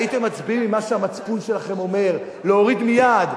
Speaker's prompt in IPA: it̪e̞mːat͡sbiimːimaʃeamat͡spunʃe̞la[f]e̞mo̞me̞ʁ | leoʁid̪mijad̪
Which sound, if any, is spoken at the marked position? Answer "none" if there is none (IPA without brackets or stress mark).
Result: χ